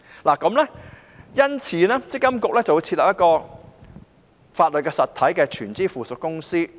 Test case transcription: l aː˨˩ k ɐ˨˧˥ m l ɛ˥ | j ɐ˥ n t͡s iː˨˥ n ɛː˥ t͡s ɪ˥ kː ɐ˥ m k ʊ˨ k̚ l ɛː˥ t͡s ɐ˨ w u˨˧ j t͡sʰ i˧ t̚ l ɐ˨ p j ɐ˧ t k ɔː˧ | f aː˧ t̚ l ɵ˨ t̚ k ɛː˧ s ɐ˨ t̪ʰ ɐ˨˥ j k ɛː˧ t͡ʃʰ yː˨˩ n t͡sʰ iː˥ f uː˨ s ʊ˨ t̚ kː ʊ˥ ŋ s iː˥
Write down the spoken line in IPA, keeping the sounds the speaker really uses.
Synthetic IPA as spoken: l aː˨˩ k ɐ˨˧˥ m l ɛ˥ | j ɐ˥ n t͡sʰ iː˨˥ n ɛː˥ t͡s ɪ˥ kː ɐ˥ m k ʊ˨ k̚ l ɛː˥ t͡s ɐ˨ w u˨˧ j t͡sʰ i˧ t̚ l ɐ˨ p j ɐ˥ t k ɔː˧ | f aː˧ t̚ l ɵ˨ t̚ k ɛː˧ s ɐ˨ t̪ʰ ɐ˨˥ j k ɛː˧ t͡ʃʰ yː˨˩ n t͡s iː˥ f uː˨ s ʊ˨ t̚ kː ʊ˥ ŋ s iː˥